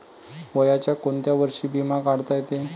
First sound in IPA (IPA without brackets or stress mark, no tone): ʋ